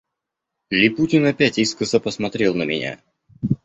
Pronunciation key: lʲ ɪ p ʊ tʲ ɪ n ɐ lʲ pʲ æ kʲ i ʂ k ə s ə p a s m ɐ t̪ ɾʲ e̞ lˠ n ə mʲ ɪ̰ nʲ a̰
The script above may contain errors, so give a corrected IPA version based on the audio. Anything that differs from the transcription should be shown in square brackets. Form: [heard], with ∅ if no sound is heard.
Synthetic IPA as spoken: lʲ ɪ p [u] tʲ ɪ n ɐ [∅] pʲ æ [tʲ] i [s] k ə s ə p [ə] s m ɐ t̪ ɾʲ e̞ lˠ n ə mʲ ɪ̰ nʲ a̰

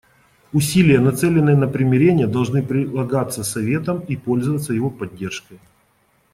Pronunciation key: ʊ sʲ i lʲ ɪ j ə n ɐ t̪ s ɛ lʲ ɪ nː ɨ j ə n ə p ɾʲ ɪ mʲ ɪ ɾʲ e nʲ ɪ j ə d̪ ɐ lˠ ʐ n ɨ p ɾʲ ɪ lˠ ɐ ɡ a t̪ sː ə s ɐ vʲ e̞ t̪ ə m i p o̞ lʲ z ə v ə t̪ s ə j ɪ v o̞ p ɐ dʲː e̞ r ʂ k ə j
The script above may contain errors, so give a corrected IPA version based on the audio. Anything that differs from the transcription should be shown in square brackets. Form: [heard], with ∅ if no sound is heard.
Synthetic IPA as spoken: ʊ sʲ i lʲ ɪ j ə n ɐ t̪ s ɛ lʲ ɪ nː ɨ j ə n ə p ɾʲ ɪ mʲ ɪ ɾʲ e nʲ ɪ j ə d̪ ɐ lˠ ʐ n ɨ p ɾʲ ɪ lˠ ɐ ɡ a t̪ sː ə s ɐ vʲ e̞ t̪ ə m i p o̞ lʲ z ə v ə t̪ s ə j ɪ v o̞ p ɐ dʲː e̞ r ʂ k ə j

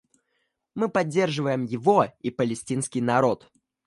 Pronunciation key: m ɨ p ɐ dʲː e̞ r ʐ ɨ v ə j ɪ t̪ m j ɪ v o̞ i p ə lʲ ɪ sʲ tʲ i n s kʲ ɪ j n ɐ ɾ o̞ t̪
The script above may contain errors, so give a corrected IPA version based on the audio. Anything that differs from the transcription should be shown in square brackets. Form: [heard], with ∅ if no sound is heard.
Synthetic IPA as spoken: m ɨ p ɐ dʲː e̞ r ʐ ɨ v ə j ɪ [∅] m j ɪ v o̞ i p ə lʲ ɪ sʲ tʲ i n s kʲ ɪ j n ɐ ɾ o̞ t̪

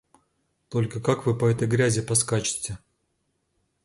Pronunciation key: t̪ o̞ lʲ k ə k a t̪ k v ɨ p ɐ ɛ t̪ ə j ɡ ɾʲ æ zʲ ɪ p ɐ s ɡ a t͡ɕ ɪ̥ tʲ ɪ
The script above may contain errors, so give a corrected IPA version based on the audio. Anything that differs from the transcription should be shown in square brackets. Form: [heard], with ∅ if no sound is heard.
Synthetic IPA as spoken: t̪ o̞ lʲ k ə k a [∅] k v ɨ p ɐ ɛ t̪ ə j ɡ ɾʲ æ zʲ ɪ p ɐ s [k] a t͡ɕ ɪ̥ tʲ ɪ

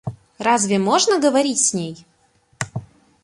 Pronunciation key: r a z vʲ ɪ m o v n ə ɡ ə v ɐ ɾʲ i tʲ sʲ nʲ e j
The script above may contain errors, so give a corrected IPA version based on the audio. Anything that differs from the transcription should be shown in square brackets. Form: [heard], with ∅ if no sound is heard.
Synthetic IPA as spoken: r a z vʲ ɪ m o [ʐ] n ə ɡ ə v ɐ ɾʲ i tʲ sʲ nʲ e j

